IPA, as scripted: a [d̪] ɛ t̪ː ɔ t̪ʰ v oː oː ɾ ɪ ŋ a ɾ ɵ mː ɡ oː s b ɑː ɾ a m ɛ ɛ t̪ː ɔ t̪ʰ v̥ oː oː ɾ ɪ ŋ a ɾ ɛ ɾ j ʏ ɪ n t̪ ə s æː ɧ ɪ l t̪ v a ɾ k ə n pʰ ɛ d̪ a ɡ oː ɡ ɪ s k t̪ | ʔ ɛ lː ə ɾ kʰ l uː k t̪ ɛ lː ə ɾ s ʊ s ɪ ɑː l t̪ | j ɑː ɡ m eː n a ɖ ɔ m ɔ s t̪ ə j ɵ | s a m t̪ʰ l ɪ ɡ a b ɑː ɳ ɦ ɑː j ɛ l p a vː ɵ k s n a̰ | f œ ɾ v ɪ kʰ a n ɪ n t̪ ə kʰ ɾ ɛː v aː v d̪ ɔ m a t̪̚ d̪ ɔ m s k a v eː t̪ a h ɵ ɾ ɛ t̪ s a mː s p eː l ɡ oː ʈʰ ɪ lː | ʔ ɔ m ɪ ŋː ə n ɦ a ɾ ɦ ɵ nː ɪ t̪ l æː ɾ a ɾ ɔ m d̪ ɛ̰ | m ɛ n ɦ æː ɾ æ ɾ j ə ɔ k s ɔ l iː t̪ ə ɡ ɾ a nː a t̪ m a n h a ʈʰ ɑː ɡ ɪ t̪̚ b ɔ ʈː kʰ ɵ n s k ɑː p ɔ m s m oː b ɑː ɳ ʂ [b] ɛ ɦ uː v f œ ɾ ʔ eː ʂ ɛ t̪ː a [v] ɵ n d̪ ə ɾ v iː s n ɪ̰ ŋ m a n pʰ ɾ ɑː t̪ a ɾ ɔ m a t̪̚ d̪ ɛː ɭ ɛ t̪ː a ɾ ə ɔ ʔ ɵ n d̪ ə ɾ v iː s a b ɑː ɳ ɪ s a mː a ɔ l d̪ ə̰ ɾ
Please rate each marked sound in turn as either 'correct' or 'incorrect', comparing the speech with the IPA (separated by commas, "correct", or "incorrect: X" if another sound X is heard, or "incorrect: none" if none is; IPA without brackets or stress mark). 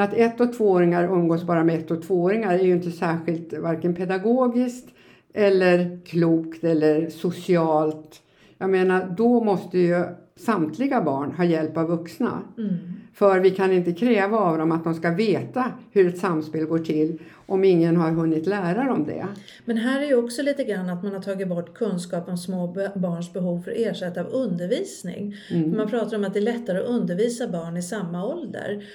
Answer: incorrect: t̪, correct, correct